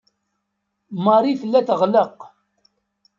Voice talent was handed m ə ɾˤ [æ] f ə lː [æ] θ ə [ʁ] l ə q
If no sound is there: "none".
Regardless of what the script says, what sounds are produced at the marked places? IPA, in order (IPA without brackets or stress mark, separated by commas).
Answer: i, æ, ʁ